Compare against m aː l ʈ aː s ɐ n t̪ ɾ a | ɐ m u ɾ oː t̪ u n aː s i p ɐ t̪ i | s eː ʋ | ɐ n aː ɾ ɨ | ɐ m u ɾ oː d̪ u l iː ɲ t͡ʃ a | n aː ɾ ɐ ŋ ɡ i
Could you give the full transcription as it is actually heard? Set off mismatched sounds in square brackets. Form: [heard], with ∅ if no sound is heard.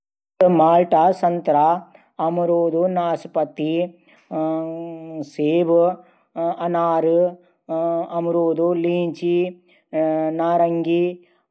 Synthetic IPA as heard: m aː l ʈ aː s ɐ n t̪ ɾ a | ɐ m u ɾ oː [d̪] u n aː s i p ɐ t̪ i | s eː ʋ | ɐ n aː ɾ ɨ | ɐ m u ɾ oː d̪ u l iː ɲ t͡ʃ [i] | n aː ɾ ɐ ŋ ɡ i